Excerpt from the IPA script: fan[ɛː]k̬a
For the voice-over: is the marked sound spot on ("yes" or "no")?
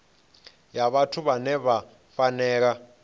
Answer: yes